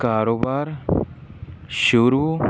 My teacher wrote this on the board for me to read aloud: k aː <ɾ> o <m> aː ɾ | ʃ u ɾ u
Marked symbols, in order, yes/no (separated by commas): yes, no